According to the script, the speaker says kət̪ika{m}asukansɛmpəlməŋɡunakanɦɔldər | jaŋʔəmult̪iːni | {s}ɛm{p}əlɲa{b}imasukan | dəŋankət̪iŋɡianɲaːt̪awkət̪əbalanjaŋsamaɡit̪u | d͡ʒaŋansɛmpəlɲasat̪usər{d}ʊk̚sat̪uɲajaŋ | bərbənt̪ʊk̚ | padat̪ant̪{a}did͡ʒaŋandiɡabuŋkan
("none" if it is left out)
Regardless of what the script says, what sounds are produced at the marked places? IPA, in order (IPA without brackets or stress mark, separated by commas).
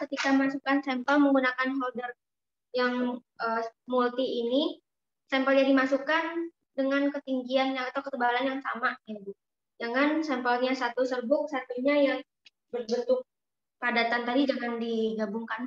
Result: m, s, p, d, b, a